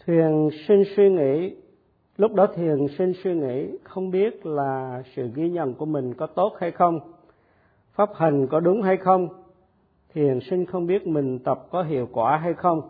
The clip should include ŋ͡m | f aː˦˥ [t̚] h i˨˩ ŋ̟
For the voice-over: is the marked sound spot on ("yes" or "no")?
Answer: no